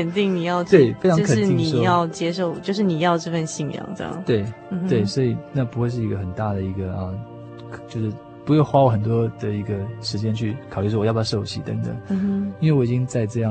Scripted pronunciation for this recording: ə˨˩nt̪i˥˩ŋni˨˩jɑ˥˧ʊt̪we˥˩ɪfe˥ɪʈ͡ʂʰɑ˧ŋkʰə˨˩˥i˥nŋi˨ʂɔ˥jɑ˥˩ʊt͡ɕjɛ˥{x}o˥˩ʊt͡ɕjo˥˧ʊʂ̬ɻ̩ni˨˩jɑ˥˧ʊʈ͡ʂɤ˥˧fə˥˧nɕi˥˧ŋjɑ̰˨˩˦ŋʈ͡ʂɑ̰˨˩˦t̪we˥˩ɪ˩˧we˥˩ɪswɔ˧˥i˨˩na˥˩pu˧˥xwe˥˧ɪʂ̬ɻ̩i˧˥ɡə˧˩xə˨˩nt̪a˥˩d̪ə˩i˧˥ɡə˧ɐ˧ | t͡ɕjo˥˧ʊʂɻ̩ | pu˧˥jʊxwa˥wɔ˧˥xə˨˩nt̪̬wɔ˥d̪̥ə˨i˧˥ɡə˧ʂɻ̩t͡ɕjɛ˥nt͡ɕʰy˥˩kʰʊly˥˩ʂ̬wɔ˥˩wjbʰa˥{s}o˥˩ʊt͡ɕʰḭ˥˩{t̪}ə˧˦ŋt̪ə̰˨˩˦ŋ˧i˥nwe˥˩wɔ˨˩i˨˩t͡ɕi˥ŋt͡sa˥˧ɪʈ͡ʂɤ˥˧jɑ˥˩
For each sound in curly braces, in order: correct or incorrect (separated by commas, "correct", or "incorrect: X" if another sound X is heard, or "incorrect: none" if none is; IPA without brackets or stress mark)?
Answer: incorrect: ʂ, incorrect: ʂ, correct